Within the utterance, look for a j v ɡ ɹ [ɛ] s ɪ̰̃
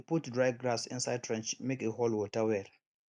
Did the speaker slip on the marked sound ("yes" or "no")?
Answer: yes